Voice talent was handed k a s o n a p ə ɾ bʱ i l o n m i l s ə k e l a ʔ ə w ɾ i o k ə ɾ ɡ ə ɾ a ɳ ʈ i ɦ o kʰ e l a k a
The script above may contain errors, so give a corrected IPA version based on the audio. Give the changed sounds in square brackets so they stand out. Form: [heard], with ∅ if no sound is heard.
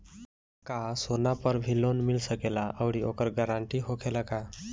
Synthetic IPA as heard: k a s o n a p ə ɾ bʱ i l o n m i l s ə k e l a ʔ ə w [ɽ] i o k ə ɾ ɡ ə ɾ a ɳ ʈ i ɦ o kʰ e l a k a